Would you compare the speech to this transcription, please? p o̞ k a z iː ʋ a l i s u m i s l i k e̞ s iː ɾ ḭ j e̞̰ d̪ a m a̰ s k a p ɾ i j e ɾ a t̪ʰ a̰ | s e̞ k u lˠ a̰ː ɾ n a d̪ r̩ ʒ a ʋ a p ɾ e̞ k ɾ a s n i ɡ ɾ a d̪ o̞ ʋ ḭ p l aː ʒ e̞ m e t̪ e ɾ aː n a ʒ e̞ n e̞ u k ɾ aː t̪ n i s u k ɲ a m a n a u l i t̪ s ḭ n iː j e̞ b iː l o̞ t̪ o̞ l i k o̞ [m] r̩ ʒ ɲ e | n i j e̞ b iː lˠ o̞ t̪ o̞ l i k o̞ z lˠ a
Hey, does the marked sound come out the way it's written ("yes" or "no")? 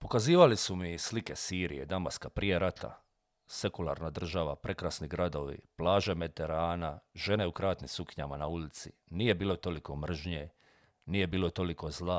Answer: yes